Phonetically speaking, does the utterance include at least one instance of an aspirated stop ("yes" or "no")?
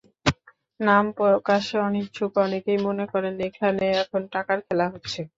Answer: yes